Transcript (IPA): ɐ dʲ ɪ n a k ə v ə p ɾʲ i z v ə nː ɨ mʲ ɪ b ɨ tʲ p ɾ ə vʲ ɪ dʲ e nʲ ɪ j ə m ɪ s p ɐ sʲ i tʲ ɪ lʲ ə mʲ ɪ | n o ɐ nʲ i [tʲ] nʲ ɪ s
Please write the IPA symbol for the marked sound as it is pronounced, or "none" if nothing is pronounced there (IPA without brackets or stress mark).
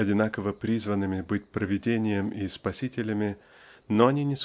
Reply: none